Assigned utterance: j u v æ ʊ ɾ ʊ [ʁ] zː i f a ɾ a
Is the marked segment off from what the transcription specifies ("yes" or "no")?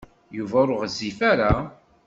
no